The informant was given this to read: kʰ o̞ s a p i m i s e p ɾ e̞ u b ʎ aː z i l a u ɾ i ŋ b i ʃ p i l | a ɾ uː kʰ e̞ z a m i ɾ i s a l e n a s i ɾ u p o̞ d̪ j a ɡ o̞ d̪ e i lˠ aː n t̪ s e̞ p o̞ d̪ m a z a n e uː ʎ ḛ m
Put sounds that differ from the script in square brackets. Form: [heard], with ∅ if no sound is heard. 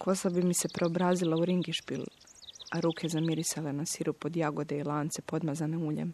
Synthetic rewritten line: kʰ o̞ s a [b] i m i s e p ɾ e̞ [o] b [ɾ] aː z i l a u ɾ i ŋ [ɡ] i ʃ p i l | a ɾ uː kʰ e̞ z a m i ɾ i s a l e n a s i ɾ u p o̞ d̪ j a ɡ o̞ d̪ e i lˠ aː n t̪ s e̞ p o̞ d̪ m a z a n e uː ʎ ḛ m